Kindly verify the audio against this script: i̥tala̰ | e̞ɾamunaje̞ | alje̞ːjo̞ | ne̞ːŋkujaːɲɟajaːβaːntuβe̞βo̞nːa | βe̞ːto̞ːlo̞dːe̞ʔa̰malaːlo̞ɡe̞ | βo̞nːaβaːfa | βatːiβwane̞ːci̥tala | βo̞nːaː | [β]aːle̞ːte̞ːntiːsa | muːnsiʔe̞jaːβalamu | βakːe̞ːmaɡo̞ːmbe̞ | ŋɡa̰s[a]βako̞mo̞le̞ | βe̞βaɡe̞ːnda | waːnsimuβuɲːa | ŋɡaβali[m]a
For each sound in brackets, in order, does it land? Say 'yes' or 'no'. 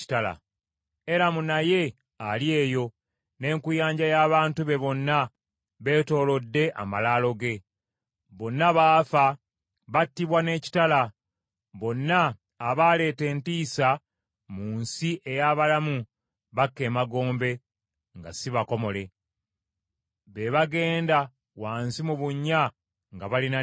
yes, no, no

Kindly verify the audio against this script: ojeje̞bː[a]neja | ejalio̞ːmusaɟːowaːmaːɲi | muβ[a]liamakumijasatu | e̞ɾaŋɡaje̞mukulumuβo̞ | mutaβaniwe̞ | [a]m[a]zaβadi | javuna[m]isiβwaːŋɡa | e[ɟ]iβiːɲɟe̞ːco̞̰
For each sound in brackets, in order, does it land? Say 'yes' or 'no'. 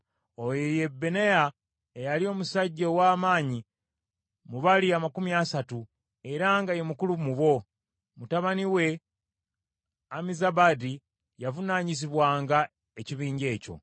no, yes, yes, no, no, no

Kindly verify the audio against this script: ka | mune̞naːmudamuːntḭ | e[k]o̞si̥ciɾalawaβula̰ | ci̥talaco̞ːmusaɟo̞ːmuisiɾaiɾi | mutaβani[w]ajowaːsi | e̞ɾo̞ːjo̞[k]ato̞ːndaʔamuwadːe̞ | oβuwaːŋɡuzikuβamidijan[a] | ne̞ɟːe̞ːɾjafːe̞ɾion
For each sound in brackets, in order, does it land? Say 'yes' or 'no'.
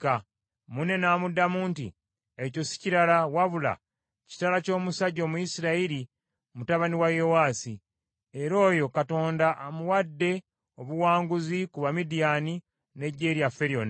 no, yes, yes, no

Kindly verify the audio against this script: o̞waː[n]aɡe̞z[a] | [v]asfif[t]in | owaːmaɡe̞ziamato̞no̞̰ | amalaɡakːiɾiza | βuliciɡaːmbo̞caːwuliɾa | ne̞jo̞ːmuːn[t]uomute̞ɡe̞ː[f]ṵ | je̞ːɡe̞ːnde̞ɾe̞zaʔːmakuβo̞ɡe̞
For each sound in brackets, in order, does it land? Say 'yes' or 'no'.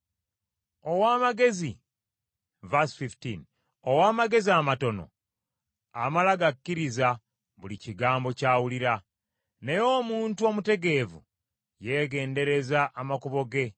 no, no, yes, yes, yes, no

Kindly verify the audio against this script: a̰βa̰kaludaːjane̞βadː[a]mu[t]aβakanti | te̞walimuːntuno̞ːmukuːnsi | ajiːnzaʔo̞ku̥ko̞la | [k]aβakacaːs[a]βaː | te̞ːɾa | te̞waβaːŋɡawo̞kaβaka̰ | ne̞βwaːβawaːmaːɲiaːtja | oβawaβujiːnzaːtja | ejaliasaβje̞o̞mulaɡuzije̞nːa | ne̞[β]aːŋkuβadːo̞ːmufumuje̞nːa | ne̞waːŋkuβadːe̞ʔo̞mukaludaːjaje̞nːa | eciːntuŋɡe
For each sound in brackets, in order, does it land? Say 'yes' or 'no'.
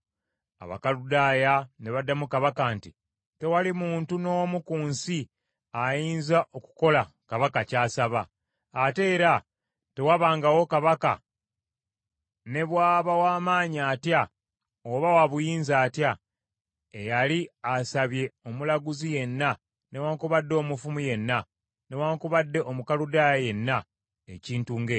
yes, no, yes, yes, no

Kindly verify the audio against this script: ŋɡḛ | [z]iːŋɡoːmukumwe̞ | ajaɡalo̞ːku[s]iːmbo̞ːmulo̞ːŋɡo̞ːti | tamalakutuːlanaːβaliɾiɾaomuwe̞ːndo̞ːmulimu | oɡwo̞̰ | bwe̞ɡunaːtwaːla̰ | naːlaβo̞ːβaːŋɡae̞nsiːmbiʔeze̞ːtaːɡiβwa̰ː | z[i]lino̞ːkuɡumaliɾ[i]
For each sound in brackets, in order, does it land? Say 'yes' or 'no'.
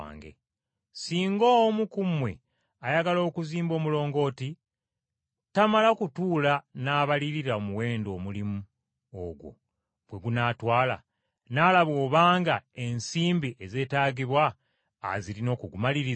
no, no, yes, yes

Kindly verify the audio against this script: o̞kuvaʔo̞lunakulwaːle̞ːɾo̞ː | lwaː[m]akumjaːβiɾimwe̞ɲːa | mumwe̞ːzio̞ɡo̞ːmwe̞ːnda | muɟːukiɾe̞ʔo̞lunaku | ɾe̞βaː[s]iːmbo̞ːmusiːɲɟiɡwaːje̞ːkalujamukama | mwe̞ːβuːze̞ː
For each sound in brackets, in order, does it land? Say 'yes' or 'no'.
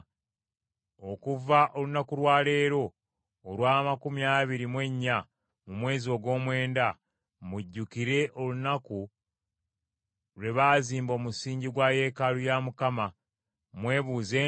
yes, no

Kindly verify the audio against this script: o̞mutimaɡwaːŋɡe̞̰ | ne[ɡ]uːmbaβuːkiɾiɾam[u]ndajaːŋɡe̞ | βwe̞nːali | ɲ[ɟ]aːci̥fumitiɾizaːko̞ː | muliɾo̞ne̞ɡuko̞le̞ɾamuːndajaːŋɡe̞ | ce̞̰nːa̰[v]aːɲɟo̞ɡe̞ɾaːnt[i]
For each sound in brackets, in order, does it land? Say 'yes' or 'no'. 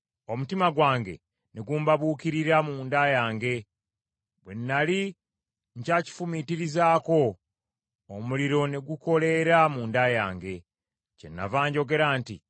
yes, no, no, yes, yes

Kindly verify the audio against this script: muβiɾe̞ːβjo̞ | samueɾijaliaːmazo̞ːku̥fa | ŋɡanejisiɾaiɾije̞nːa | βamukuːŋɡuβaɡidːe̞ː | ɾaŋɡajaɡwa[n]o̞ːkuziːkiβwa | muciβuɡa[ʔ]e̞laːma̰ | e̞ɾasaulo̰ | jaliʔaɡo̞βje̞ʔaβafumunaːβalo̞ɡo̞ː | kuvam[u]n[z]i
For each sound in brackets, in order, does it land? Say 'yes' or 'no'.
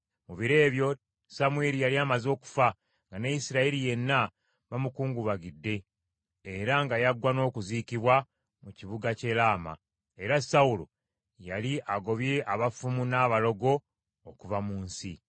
yes, no, no, no

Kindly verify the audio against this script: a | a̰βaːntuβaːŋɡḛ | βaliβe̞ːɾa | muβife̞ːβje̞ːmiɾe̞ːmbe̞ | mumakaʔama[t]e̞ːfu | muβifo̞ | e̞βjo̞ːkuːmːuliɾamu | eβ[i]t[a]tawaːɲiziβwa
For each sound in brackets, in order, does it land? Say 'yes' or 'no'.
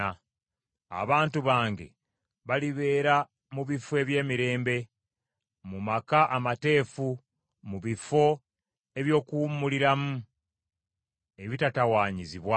yes, yes, yes

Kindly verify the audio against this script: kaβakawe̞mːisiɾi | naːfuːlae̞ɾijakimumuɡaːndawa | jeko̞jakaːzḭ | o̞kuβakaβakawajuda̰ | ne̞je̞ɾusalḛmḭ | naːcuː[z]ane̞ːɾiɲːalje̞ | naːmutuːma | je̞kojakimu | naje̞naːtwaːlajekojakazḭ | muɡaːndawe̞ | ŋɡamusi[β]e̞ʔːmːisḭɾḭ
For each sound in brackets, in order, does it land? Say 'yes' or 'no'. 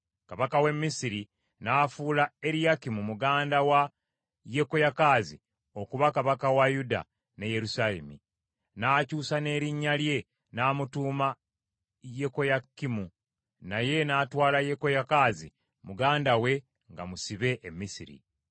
no, yes

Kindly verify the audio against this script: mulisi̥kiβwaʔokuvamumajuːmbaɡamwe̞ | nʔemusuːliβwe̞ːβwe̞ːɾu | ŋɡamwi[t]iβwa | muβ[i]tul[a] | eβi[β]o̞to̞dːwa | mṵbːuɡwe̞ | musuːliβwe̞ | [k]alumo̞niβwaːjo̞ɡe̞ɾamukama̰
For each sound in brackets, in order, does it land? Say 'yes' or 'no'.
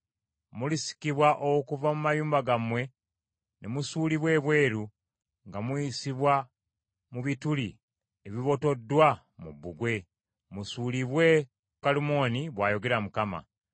no, yes, no, yes, yes

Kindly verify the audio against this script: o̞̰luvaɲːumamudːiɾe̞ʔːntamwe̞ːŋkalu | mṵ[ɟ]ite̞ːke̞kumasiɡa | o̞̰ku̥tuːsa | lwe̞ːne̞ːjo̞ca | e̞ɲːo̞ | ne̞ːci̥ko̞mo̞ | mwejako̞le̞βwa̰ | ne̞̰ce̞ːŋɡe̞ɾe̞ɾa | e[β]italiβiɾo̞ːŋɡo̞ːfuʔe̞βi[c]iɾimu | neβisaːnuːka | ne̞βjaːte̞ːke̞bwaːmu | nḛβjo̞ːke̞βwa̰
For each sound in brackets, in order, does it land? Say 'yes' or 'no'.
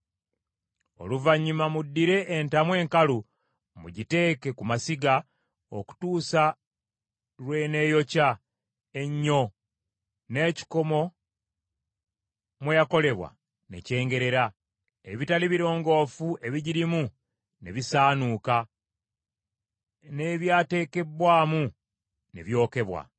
yes, yes, no

